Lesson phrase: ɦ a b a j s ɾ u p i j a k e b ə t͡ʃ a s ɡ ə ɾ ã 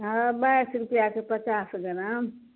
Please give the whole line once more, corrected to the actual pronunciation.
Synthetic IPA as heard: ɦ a b a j s ɾ u p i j a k e p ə t͡ʃ a s ɡ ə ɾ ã

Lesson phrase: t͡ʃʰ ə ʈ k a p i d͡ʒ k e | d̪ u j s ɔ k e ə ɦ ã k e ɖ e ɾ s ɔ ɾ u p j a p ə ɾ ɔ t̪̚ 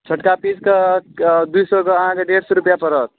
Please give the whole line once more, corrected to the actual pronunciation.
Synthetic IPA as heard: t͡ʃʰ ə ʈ k a p i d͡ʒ k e | d̪ u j s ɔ k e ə ɦ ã k e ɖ e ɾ s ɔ ɾ u p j a p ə ɾ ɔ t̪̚

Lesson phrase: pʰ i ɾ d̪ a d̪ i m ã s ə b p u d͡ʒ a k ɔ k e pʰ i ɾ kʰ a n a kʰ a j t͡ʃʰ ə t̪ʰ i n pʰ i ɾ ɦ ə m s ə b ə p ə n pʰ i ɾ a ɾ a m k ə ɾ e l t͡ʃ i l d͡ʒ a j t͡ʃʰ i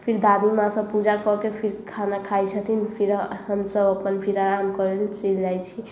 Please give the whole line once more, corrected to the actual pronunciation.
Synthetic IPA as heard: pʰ i ɾ d̪ a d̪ i m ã s ə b p u d͡ʒ a k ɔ k e pʰ i ɾ kʰ a n a kʰ a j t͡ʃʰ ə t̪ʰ i n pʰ i ɾ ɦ ə m s ə b ə p ə n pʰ i ɾ a ɾ a m k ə ɾ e l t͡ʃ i l d͡ʒ a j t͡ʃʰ i

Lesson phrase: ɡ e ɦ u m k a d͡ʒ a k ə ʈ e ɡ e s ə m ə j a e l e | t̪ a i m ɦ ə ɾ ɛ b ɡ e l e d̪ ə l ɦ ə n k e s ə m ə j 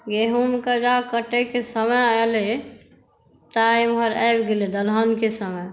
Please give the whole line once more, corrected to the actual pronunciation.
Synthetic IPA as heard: ɡ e ɦ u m k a d͡ʒ a k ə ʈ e k e s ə m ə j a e l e | t̪ a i m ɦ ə ɾ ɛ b ɡ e l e d̪ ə l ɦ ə n k e s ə m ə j

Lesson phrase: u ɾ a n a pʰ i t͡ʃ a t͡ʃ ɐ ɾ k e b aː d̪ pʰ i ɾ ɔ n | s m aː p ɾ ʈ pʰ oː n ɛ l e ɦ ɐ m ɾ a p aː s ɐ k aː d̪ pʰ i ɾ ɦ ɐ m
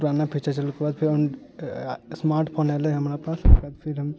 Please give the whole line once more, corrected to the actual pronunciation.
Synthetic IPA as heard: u ɾ a n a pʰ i t͡ʃ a t͡ʃ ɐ l k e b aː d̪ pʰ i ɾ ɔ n | s m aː ɾ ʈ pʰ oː n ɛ l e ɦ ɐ m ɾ a p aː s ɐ k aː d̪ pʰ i ɾ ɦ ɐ m

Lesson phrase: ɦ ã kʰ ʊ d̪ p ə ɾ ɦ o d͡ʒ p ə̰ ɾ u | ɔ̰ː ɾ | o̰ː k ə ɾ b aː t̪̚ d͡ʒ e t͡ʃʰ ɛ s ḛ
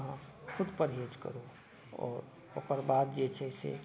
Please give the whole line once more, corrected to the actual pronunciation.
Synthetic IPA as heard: ɦ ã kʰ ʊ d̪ p ə ɾ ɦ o d͡ʒ k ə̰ ɾ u | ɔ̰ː ɾ | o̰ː k ə ɾ b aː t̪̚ d͡ʒ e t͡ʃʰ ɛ s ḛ

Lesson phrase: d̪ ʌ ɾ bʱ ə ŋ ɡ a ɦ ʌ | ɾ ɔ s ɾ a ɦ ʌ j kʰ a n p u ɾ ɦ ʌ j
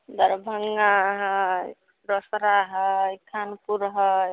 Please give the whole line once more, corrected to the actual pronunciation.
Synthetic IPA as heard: d̪ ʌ ɾ bʱ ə ŋ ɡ a ɦ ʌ | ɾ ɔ s ɾ a ɦ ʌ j kʰ a n p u ɾ ɦ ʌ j

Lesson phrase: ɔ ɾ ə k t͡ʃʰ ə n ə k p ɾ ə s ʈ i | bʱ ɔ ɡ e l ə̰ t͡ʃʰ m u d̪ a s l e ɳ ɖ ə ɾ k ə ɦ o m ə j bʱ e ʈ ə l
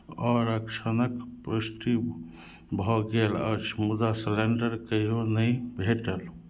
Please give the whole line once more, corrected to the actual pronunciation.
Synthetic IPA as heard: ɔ ɾ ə k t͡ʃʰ ə n ə k p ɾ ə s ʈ i | bʱ ɔ ɡ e l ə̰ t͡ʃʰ m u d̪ a s l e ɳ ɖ ə ɾ k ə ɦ o n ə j bʱ e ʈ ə l

